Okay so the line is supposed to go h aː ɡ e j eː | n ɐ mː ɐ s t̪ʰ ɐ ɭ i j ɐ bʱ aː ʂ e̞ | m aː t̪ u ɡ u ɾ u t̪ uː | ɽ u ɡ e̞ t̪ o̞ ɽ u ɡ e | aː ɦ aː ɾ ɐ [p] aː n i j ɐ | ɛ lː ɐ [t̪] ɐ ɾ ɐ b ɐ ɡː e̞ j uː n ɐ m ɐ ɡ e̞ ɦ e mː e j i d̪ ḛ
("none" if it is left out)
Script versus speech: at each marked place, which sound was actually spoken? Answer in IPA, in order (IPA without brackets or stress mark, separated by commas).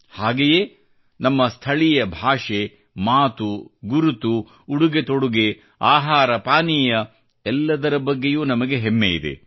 p, d̪